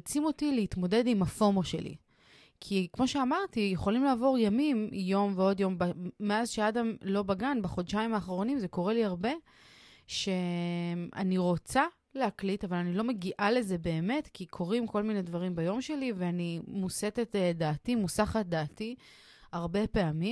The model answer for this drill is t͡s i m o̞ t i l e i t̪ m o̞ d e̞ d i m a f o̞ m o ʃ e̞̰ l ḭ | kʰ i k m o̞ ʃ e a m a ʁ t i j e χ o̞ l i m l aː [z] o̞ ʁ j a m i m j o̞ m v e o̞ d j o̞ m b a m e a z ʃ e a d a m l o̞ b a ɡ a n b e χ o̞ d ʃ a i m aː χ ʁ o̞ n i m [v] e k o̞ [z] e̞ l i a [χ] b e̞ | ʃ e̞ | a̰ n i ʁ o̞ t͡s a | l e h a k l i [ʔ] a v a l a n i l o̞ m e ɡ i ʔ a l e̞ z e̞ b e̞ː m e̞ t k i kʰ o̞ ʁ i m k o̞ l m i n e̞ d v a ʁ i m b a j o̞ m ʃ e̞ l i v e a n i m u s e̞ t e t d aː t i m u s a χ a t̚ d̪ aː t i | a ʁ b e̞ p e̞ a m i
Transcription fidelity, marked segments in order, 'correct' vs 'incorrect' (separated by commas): incorrect, incorrect, incorrect, incorrect, incorrect